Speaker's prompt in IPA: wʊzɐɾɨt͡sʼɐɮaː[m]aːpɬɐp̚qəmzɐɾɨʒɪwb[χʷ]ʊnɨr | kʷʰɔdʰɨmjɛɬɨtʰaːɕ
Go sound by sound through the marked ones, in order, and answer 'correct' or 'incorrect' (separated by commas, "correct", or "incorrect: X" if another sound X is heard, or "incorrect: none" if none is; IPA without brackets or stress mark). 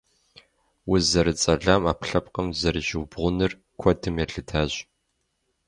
correct, incorrect: ʁʷ